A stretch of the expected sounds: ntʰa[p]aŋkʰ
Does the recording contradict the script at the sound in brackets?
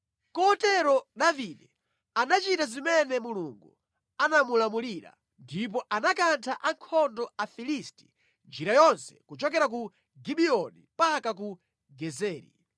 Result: yes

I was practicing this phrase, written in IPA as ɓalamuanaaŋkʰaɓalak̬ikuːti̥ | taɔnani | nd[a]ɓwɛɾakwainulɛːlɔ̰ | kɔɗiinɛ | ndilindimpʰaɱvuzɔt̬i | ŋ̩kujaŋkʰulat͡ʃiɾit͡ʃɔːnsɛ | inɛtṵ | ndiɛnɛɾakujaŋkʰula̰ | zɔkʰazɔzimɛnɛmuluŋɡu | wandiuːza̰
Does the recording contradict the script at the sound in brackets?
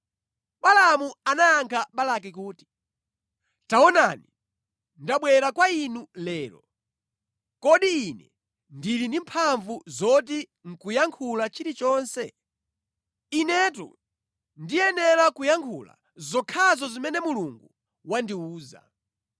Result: no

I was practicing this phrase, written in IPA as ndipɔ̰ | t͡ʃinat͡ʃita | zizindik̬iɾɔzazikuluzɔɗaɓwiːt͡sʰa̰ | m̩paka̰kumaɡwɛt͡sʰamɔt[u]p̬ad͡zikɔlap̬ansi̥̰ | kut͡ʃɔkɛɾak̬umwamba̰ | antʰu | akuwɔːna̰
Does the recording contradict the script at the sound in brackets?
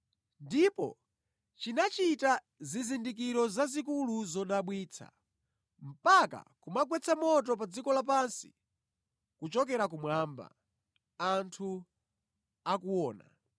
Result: yes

